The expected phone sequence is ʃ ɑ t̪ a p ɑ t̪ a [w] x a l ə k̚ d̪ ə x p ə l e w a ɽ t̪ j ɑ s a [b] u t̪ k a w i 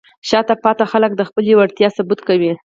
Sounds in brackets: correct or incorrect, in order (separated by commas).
incorrect, correct